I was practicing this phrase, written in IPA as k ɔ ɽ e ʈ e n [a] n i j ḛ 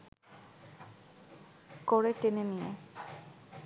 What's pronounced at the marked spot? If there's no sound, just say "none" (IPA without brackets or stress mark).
e